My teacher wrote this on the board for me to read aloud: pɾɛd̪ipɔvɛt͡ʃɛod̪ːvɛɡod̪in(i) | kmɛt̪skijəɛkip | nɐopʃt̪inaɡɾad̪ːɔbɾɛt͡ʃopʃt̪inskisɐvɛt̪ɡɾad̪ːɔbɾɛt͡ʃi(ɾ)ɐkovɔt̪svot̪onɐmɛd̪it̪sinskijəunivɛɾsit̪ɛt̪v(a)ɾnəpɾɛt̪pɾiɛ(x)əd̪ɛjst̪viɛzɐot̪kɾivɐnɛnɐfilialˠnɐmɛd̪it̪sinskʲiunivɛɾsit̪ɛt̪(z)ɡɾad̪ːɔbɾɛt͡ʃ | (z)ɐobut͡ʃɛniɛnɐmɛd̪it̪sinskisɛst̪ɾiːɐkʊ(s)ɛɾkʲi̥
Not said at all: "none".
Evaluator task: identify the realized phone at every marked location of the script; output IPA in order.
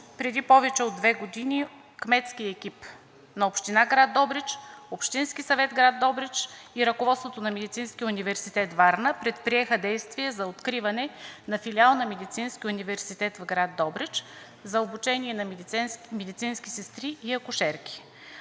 i, ɾ, a, x, v, z, ʃ

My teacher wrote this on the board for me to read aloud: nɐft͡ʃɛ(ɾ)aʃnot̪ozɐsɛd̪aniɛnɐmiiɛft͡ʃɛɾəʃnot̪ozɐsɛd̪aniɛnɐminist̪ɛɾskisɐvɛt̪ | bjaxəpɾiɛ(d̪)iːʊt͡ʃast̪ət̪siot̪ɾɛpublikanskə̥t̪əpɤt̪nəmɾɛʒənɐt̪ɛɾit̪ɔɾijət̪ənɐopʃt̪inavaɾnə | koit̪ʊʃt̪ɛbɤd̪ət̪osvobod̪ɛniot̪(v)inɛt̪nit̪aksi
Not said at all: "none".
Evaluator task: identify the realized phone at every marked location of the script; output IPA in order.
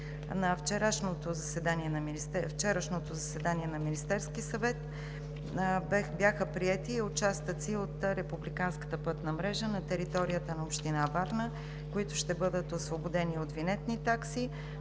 ɾ, t̪, v

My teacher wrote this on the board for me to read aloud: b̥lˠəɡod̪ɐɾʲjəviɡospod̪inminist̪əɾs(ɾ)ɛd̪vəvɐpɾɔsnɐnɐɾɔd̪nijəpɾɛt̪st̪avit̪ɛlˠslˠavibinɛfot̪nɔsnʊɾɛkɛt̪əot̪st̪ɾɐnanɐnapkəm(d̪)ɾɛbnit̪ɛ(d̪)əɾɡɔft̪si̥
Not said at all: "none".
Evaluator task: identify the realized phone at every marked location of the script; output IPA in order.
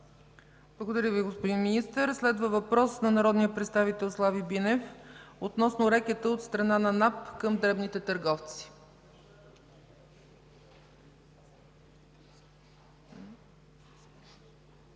l, d̪, t̪

